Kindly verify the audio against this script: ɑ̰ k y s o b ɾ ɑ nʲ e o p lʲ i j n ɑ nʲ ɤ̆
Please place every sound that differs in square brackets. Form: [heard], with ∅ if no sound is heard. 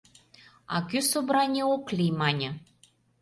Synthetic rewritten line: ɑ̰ k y s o b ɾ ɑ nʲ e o [k] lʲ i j [m] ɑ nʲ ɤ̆